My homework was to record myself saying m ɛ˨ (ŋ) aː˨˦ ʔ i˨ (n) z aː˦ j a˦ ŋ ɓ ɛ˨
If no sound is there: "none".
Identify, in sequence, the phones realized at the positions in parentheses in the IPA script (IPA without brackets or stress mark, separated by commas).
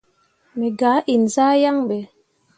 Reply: ɡ, n